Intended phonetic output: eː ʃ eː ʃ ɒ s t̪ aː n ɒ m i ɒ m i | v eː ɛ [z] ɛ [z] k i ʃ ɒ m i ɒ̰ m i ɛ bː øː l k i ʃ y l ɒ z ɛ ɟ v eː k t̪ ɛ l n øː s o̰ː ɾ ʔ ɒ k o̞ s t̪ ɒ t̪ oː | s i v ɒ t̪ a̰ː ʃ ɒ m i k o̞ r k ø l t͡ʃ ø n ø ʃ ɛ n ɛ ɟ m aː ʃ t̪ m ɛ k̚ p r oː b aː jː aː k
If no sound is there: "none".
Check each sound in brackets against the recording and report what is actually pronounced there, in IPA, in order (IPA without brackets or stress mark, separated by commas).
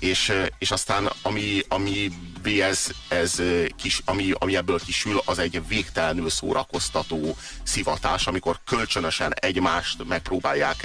z, z